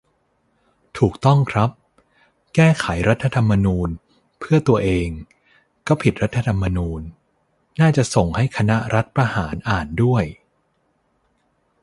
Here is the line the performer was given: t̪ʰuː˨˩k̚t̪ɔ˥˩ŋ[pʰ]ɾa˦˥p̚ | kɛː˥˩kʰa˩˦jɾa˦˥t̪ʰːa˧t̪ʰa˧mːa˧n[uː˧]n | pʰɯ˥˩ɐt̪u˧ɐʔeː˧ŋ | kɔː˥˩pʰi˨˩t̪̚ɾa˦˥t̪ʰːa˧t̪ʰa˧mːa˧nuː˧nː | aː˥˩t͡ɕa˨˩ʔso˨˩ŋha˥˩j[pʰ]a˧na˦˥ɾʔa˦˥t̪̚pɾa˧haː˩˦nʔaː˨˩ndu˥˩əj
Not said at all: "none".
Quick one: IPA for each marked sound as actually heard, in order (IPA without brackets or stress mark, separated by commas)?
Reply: kʰ, uː˧, kʰ